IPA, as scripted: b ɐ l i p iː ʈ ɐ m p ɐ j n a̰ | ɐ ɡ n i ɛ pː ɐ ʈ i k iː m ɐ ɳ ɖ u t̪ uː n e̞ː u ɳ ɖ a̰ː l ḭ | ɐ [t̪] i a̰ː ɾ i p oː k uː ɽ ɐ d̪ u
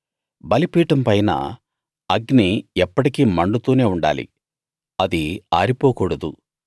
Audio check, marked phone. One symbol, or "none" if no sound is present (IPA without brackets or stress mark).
d̪